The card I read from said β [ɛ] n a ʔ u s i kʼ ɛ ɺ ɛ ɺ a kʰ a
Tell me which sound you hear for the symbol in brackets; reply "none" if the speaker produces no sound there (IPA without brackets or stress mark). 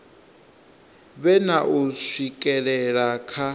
ɛ